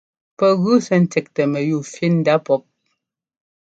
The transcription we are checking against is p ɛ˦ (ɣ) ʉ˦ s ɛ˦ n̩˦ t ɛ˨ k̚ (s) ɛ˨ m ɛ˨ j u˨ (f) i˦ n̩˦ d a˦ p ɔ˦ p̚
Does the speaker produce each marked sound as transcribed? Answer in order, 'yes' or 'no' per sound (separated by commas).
yes, no, yes